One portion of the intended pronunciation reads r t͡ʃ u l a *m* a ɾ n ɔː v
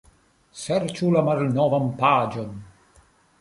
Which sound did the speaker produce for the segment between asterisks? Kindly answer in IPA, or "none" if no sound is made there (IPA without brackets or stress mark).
m